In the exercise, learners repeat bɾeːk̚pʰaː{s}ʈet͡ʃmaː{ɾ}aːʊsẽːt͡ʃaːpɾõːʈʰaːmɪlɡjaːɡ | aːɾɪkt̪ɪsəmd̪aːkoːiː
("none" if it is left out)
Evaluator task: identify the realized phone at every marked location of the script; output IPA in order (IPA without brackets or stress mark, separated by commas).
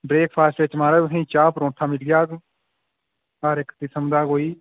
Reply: s, ɾ